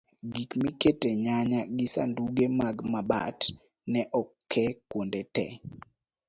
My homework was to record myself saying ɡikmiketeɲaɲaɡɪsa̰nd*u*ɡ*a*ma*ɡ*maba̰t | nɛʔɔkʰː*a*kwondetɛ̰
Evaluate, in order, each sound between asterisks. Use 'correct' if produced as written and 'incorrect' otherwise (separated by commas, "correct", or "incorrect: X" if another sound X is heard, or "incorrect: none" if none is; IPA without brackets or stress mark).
correct, incorrect: e, correct, incorrect: ɛ